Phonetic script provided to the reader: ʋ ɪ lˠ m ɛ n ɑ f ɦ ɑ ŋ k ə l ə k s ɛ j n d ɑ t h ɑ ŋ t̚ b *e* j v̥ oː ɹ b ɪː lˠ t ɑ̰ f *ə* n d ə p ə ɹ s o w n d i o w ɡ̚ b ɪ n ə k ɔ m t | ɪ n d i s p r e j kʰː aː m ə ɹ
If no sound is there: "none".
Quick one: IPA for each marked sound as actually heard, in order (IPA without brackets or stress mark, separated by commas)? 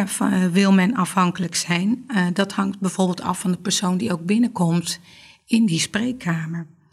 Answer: ɛ, ɑ